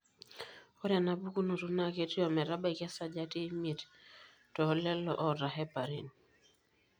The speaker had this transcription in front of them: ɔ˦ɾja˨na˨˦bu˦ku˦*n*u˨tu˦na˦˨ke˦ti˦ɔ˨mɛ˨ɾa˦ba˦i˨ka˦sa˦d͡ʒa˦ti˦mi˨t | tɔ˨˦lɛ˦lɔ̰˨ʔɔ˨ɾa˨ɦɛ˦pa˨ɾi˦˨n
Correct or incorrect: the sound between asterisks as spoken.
correct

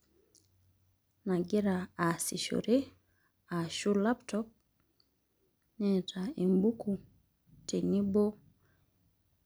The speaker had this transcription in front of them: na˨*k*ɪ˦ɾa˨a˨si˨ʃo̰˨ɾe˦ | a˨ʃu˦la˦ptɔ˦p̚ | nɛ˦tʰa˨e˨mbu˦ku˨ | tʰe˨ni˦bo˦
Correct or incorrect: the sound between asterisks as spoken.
incorrect: ɡ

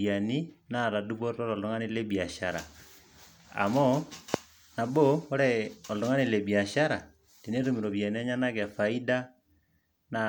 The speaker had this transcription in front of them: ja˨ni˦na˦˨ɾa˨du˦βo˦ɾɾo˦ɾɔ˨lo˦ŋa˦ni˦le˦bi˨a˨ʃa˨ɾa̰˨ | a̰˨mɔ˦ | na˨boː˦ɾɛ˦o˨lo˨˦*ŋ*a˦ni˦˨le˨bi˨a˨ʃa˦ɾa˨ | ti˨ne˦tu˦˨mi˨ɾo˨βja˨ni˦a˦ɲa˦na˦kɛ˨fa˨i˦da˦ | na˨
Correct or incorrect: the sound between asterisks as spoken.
correct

